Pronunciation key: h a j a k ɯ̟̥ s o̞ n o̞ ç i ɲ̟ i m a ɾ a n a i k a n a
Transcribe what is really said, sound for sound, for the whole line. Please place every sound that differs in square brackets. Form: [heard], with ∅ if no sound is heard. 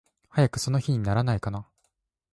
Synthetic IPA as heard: h a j a k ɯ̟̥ s o̞ n o̞ ç i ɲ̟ i [n] a ɾ a n a i k a n a